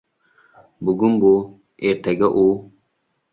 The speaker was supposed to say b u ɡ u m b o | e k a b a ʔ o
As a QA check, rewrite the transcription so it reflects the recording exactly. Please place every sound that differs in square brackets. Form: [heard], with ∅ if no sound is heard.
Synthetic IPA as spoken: b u ɡ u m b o | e [t] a [ɡ] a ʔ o